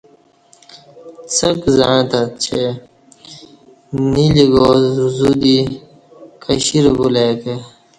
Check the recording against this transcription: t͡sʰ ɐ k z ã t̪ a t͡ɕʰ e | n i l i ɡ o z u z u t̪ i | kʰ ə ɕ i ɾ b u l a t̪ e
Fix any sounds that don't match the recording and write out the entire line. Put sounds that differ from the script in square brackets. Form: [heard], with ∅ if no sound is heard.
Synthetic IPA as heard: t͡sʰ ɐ k z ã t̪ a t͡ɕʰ e | n i l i ɡ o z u z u [d̪] i | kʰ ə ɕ i ɾ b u l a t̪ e